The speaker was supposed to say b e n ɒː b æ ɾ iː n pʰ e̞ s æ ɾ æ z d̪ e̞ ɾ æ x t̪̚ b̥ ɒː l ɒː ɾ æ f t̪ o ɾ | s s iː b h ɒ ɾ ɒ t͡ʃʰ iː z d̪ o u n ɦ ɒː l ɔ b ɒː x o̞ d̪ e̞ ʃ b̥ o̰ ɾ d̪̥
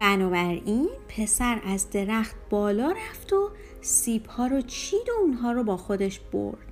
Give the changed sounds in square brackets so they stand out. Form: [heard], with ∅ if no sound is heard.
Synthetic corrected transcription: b [æ] n ɒː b æ ɾ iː n pʰ e̞ s æ ɾ æ z d̪ e̞ ɾ æ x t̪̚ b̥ ɒː l ɒː ɾ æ f t̪ o [∅] | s s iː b h [ɒː] ɾ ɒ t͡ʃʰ iː [∅] d̪ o u n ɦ ɒː [ɾ] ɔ b ɒː x o̞ d̪ e̞ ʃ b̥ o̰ ɾ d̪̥